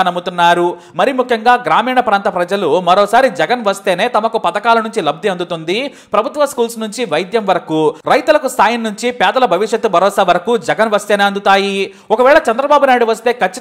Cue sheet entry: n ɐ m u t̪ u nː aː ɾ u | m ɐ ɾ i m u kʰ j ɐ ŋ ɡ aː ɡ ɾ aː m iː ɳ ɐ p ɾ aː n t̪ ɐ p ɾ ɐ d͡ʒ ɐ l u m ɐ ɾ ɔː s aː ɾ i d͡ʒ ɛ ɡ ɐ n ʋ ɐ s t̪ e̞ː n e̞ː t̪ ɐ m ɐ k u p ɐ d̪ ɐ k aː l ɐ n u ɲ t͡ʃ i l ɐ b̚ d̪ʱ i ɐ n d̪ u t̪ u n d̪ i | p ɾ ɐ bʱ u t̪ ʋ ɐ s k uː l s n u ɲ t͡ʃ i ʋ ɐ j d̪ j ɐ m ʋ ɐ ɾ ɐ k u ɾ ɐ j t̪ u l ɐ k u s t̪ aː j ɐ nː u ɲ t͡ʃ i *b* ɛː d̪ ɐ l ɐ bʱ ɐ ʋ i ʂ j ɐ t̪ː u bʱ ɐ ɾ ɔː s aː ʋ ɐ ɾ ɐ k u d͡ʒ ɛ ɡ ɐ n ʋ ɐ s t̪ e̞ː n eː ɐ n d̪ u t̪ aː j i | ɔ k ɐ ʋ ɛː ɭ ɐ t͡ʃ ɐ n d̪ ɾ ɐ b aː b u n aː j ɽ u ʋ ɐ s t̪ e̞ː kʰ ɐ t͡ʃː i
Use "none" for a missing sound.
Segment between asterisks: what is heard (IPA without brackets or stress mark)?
p